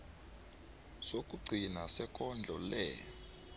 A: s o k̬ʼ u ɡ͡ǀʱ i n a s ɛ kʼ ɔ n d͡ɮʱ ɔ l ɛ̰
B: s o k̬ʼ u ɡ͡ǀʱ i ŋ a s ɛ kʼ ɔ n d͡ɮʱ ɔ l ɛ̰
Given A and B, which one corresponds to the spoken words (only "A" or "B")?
A